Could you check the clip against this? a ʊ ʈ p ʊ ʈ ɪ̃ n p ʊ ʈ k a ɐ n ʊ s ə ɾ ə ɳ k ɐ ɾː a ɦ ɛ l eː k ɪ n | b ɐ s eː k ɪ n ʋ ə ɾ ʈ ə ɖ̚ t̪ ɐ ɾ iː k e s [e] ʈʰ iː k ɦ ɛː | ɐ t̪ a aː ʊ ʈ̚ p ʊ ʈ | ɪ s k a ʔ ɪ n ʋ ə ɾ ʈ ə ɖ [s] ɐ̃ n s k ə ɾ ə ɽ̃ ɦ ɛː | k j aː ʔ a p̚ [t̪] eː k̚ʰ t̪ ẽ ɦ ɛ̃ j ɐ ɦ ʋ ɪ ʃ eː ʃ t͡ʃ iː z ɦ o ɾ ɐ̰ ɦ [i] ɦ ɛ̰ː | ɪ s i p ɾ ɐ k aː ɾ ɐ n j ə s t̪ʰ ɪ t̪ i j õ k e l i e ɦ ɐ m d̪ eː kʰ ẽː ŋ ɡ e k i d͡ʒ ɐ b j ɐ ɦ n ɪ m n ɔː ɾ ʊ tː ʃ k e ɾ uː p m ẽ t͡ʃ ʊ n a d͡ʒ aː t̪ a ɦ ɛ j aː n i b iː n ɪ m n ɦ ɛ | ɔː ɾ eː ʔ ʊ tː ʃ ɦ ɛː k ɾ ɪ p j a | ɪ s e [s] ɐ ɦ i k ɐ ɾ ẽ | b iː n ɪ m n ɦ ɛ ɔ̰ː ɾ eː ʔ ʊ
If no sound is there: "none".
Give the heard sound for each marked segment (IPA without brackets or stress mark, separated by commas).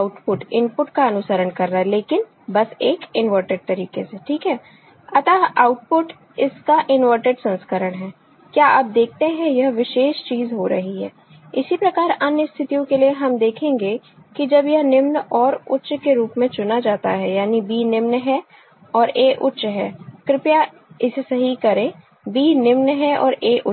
e, s, d̪, i, s